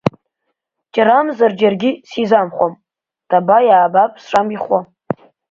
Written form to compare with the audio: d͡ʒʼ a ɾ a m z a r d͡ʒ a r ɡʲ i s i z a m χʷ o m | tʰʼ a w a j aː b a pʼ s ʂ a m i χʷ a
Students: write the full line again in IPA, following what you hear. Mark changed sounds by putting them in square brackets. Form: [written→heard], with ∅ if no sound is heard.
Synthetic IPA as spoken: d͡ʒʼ a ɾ a m z a r d͡ʒ a r ɡʲ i s i z a m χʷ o m | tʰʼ a [w→b] a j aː b a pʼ s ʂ a m i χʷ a